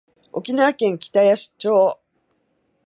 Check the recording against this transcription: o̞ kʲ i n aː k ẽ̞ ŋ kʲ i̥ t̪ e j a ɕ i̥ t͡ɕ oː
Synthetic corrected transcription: o̞ kʲ i n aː k ẽ̞ ŋ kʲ i̥ t̪ a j a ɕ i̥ t͡ɕ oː